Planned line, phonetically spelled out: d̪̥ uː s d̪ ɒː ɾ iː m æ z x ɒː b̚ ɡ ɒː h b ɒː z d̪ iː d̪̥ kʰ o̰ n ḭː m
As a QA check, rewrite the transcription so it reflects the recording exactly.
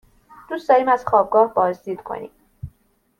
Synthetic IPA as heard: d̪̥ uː s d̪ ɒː ɾ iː m æ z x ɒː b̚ ɡ ɒː h b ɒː z d̪ iː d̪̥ kʰ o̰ n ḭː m